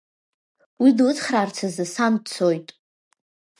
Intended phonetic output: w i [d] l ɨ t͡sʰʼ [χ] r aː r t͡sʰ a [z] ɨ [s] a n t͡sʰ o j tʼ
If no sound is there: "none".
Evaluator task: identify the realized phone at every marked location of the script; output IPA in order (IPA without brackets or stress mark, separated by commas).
d, χ, z, s